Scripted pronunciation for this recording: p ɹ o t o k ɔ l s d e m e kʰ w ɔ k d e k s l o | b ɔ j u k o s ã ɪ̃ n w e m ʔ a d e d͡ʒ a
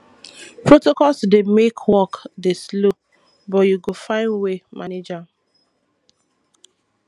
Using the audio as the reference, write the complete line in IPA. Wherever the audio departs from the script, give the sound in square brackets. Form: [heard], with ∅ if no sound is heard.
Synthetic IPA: p ɹ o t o k ɔ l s d e m e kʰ w ɔ k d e [∅] s l o | b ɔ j u [ɡ] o [f] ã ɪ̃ n w e m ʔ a [n] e d͡ʒ a